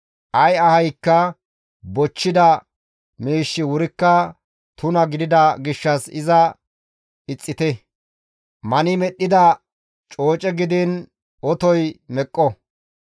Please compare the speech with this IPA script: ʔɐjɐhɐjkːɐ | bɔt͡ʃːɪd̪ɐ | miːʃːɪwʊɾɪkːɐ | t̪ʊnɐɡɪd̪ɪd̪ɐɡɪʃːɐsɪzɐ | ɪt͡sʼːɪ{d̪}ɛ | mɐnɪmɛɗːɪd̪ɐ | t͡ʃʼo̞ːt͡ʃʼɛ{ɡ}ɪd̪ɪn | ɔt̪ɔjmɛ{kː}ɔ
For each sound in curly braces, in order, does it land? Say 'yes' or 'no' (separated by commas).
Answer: no, yes, no